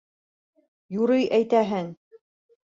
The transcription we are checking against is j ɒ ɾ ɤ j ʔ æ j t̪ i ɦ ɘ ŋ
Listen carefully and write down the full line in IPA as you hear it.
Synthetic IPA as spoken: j u ɾ ɤ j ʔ æ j t̪ æ ɦ ɘ ŋ